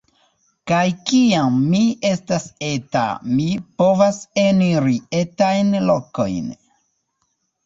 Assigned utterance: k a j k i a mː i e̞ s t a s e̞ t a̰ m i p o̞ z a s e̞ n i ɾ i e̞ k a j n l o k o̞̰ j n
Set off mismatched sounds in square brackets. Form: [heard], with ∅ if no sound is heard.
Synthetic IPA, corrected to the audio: k a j k i a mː i e̞ s t a s e̞ t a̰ m i p o̞ [v] a s e̞ n i ɾ i e̞ [t] a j n l o k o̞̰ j n